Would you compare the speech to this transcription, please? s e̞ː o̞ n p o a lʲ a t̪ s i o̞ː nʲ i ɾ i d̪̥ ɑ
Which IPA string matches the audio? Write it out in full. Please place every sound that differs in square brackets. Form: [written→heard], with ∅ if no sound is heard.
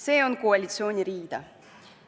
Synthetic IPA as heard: s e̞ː o̞ n [p→k] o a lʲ [a→i] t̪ s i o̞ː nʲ i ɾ [i→iː] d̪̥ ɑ